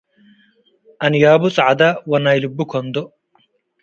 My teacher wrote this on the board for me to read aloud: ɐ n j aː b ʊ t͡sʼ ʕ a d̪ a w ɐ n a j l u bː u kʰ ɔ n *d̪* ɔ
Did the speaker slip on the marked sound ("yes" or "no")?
no